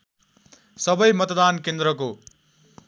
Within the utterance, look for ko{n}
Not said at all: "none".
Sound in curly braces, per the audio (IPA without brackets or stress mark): none